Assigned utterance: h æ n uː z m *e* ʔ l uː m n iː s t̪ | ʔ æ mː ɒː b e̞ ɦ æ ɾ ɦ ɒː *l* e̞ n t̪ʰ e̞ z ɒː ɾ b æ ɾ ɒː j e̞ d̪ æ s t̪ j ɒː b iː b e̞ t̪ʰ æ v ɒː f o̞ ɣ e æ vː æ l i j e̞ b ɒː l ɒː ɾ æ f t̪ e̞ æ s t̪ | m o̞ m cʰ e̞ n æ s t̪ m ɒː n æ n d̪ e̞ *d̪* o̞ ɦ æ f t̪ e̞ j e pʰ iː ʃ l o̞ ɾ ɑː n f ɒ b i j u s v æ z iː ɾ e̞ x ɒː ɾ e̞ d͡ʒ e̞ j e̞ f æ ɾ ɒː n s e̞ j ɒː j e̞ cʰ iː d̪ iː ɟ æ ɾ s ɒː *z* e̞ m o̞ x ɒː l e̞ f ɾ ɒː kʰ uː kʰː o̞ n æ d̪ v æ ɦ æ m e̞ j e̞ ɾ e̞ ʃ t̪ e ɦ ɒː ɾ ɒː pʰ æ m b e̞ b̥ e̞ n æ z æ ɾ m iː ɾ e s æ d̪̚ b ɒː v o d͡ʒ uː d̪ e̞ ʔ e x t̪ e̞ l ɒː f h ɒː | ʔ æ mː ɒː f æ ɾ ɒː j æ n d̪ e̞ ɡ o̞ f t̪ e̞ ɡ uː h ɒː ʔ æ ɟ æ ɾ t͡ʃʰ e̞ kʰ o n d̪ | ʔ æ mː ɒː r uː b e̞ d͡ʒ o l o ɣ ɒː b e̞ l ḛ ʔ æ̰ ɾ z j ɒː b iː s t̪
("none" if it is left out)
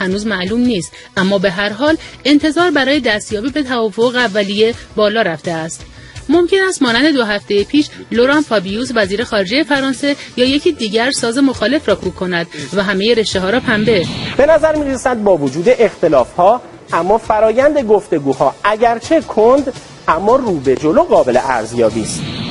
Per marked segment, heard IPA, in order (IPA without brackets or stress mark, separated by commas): æ, l, d̪, z